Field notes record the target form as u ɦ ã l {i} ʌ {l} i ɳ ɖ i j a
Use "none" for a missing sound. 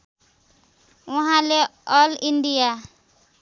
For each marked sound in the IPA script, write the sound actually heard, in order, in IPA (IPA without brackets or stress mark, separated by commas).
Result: e, l